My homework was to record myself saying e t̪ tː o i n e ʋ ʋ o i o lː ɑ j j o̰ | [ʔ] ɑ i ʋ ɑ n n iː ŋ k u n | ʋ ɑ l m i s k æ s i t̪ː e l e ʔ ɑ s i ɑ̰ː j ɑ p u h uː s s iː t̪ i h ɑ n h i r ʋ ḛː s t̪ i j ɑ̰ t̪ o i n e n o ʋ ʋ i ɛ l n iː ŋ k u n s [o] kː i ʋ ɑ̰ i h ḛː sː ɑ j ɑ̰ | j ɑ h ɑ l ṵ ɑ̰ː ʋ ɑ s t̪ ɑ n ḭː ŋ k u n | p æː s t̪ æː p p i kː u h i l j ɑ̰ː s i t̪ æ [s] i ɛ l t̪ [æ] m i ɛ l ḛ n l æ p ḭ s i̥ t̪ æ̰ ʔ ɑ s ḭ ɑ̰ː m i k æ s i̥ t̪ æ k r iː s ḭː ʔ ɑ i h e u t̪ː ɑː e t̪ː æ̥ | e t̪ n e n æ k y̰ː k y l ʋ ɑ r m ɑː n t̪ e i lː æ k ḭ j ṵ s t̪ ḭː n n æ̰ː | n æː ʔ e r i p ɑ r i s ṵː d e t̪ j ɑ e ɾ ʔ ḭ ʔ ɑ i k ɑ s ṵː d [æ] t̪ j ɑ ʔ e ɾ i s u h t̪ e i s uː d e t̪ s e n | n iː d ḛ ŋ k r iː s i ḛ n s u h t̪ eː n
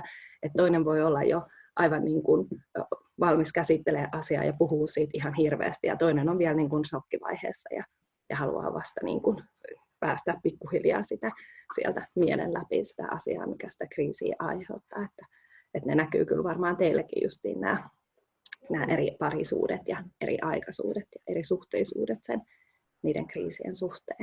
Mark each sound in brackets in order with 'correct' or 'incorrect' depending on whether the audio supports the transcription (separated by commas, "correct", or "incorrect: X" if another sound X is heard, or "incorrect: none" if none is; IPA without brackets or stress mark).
correct, correct, correct, correct, incorrect: e